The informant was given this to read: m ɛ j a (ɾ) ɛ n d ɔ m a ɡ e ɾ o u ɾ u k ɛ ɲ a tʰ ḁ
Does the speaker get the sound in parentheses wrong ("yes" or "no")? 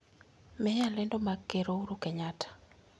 yes